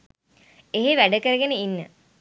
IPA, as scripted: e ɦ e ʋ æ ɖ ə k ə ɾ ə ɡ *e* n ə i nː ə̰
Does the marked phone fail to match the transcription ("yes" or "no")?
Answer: no